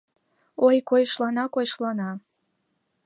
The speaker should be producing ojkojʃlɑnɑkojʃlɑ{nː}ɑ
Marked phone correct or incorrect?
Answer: incorrect: n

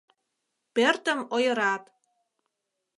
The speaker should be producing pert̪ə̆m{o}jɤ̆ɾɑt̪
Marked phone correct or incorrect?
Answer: correct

